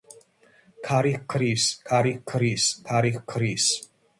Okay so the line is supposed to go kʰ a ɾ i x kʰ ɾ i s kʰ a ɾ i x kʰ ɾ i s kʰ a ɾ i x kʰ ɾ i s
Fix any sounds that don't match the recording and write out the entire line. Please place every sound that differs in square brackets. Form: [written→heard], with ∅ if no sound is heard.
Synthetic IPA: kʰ a ɾ i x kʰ ɾ i s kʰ a ɾ i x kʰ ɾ i s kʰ a ɾ i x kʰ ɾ i s